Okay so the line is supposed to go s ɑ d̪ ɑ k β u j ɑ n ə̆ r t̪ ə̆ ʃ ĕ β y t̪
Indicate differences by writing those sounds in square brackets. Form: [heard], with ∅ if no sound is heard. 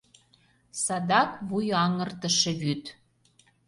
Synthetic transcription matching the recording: s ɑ d̪ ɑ k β u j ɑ [ŋ] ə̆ r t̪ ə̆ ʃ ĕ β y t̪

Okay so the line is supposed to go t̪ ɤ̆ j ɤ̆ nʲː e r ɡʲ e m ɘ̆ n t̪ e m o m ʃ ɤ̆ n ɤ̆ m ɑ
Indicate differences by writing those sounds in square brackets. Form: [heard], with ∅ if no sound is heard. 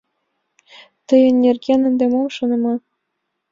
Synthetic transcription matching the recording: t̪ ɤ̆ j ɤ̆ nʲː e r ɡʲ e [n] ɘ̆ n [d̪] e m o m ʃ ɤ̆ n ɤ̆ m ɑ

